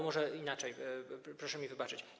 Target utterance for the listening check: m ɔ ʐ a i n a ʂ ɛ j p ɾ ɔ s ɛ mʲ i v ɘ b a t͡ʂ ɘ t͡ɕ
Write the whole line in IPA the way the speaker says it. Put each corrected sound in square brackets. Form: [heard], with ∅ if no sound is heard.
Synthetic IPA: m ɔ ʐ [ɛ] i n a [t͡ʂ] ɛ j p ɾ ɔ [ʂ] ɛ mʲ i v ɘ b a t͡ʂ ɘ t͡ɕ

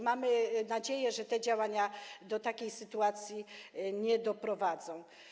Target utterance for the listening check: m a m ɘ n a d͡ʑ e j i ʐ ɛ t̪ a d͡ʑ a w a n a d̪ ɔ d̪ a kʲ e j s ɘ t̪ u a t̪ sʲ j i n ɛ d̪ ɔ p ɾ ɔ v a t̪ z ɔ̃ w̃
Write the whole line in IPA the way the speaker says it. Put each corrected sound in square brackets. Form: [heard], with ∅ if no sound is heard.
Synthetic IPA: m a m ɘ n a d͡ʑ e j [ɛ] ʐ ɛ t̪ [ɛ] d͡ʑ a w a [ɲ] a d̪ ɔ [t̪] a kʲ e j s ɘ t̪ u a t̪ sʲ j i [ɲ] ɛ d̪ ɔ p ɾ ɔ v a [d̪] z ɔ̃ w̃

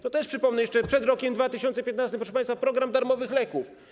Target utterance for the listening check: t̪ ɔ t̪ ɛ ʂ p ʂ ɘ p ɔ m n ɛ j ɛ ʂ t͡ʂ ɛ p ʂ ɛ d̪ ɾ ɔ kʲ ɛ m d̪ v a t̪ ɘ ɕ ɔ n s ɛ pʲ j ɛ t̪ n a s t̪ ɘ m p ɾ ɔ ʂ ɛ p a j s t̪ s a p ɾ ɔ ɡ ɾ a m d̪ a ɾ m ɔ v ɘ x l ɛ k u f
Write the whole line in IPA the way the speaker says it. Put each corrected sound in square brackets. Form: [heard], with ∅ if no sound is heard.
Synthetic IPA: t̪ ɔ t̪ ɛ ʂ p ʂ ɘ p ɔ m n ɛ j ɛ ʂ t͡ʂ ɛ p ʂ ɛ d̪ ɾ ɔ kʲ ɛ m d̪ v a t̪ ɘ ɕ ɔ n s ɛ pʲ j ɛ t̪ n a s t̪ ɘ m p ɾ ɔ ʂ ɛ p a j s t̪ [f] a p ɾ ɔ ɡ ɾ a m d̪ a ɾ m ɔ v ɘ x l ɛ k u f

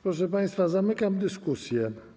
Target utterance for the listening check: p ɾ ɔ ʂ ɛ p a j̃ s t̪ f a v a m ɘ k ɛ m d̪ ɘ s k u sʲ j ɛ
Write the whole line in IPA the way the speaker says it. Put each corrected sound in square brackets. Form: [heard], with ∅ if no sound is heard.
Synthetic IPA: p ɾ ɔ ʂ ɛ p a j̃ s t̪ f a [z] a m ɘ k [a] m d̪ ɘ s k u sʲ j ɛ

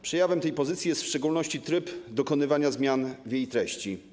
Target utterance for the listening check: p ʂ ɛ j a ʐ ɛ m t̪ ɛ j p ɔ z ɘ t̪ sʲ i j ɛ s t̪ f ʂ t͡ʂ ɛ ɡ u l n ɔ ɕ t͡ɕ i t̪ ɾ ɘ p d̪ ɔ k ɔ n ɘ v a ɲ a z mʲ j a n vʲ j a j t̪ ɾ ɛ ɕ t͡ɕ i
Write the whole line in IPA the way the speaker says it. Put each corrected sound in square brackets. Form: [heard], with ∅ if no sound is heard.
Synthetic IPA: p ʂ ɛ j a [v] ɛ m t̪ ɛ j p ɔ z ɘ t̪ sʲ i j ɛ s t̪ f ʂ t͡ʂ ɛ ɡ u l n ɔ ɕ t͡ɕ i t̪ ɾ ɘ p d̪ ɔ k ɔ n ɘ v a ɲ a z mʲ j a n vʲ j [e] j t̪ ɾ ɛ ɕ t͡ɕ i

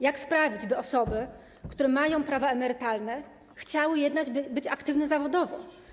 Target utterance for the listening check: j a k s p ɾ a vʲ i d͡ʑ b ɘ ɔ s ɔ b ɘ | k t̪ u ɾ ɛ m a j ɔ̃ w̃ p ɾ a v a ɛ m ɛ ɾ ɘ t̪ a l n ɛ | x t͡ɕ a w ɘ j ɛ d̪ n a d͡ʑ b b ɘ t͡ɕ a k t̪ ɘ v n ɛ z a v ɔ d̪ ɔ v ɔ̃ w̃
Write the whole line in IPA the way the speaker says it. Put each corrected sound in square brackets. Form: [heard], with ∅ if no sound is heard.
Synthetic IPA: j a k s p ɾ a vʲ i d͡ʑ b ɘ ɔ s ɔ b ɘ | k t̪ u ɾ ɛ m a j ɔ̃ w̃ p ɾ a v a ɛ m ɛ ɾ ɘ t̪ a l n ɛ | x t͡ɕ a w ɘ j ɛ d̪ n a d͡ʑ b b ɘ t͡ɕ a k t̪ ɘ v n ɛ z a v ɔ d̪ ɔ v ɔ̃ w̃

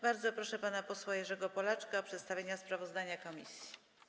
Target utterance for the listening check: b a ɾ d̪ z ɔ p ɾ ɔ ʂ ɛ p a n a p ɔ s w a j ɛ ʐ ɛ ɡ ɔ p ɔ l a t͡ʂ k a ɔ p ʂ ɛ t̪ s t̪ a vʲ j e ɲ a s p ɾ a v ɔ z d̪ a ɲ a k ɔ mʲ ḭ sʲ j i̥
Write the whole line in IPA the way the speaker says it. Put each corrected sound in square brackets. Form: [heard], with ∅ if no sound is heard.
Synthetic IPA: b a ɾ d̪ z ɔ p ɾ ɔ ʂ ɛ p a n a p ɔ s w a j ɛ ʐ ɛ ɡ ɔ p ɔ l a t͡ʂ k a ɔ p ʂ ɛ t̪ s t̪ a vʲ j e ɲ a s p ɾ a v ɔ z d̪ a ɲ a k ɔ mʲ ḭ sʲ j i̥

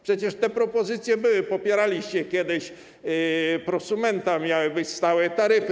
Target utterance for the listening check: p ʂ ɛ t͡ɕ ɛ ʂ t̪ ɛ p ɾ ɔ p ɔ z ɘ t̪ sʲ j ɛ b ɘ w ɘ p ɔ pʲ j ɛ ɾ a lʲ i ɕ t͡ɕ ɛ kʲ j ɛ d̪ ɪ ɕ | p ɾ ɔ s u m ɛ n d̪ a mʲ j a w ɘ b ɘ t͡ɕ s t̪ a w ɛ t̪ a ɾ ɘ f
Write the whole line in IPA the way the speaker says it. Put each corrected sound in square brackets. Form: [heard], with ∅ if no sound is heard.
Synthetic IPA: p ʂ ɛ t͡ɕ ɛ ʂ t̪ ɛ p ɾ ɔ p ɔ z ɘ t̪ sʲ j ɛ b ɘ w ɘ p ɔ pʲ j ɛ ɾ a lʲ i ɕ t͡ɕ ɛ kʲ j ɛ d̪ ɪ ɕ | p ɾ ɔ s u m ɛ n [t̪] a mʲ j a w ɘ b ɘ t͡ɕ s t̪ a w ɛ t̪ a ɾ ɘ f

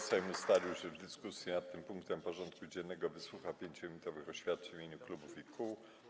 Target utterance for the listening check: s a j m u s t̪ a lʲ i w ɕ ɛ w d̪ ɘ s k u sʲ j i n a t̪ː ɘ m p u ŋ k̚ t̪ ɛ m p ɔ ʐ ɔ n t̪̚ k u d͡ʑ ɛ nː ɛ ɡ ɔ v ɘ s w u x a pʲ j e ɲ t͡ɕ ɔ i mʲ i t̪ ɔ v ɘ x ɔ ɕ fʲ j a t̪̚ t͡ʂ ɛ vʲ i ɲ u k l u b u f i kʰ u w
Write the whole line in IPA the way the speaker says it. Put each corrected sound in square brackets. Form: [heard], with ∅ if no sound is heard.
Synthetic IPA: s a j m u s t̪ a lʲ i w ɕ ɛ [v] d̪ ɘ s k u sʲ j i n a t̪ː ɘ m p u ŋ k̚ t̪ ɛ m p ɔ ʐ ɔ n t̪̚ k u d͡ʑ ɛ nː ɛ ɡ ɔ v ɘ s w u x a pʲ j e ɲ t͡ɕ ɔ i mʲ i t̪ ɔ v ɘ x ɔ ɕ fʲ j a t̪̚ t͡ʂ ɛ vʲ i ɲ u k l u b u f i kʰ u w

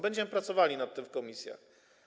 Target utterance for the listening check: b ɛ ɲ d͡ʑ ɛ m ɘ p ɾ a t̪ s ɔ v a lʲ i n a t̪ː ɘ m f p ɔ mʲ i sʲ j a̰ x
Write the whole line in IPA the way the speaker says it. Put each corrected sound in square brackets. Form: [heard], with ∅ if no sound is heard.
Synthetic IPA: b ɛ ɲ d͡ʑ ɛ m ɘ p ɾ a t̪ s ɔ v a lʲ i n a t̪ː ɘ m f [k] ɔ mʲ i sʲ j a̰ x

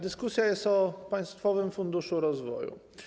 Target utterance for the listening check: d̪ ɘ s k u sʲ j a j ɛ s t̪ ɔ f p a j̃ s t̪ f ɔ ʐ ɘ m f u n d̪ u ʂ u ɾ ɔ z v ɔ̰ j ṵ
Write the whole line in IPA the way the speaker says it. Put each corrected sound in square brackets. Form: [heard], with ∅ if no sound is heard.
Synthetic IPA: d̪ ɘ s k u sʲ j a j ɛ s t̪ ɔ [∅] p a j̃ s t̪ f ɔ [v] ɘ m f u n d̪ u ʂ u ɾ ɔ z v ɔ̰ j ṵ

